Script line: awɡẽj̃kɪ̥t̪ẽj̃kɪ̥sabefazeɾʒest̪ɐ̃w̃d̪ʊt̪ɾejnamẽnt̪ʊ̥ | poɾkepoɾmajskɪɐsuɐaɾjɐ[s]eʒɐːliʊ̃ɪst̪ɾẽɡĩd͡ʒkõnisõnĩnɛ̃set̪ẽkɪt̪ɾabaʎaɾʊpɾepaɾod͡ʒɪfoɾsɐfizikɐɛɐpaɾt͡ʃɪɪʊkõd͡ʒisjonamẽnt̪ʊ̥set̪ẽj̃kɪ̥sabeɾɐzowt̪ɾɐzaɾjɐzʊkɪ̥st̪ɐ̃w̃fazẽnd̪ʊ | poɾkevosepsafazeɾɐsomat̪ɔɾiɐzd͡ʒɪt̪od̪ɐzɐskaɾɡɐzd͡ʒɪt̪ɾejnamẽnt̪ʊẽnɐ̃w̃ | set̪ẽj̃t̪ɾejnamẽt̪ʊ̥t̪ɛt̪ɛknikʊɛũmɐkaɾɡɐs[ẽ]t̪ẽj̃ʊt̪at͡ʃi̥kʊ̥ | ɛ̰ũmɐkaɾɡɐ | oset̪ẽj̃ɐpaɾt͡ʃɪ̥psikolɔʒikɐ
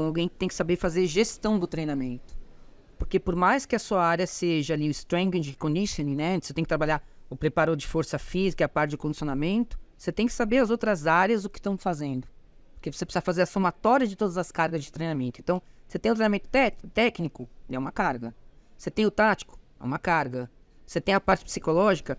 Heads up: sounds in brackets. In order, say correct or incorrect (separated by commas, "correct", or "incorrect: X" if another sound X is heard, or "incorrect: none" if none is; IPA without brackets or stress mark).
correct, incorrect: e